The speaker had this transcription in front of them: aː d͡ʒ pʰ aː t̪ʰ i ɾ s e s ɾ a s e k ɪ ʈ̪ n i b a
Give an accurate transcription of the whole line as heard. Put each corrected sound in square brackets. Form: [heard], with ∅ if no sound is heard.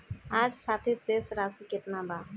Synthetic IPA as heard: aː d͡ʒ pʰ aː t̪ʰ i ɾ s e s ɾ a s [i] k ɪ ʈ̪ n [a] b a